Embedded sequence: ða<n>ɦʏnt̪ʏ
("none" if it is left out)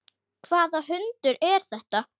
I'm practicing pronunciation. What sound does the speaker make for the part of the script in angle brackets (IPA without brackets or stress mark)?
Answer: none